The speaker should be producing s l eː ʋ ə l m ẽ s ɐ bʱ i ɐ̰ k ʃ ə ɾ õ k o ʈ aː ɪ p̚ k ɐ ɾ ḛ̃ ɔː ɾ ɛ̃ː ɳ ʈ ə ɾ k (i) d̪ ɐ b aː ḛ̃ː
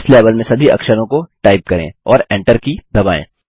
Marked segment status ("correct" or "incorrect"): correct